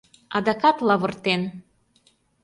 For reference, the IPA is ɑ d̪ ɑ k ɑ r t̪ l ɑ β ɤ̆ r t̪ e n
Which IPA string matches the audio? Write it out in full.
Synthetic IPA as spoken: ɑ d̪ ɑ k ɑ t̪ l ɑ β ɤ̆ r t̪ e n